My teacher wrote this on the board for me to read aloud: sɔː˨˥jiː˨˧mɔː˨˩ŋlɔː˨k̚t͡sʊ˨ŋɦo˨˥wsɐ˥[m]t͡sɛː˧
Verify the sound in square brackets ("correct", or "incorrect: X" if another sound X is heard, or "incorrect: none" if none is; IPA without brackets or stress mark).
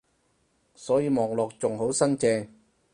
incorrect: n